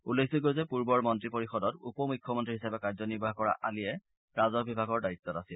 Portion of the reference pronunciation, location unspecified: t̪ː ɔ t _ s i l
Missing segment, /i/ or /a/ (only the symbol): a